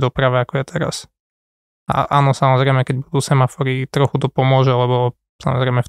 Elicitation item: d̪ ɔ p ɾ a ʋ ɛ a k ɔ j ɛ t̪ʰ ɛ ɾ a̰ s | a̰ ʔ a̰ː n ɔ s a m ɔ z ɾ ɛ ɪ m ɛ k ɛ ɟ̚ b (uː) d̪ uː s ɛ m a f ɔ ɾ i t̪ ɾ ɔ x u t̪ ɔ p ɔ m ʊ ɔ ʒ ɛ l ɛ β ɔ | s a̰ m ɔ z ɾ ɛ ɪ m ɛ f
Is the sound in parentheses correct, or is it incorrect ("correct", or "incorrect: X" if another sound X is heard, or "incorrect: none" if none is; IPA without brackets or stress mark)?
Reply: incorrect: u